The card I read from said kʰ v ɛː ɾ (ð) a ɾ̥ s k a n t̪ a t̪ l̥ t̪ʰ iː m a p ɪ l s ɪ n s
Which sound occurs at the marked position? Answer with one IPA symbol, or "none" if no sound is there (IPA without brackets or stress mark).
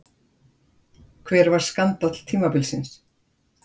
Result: v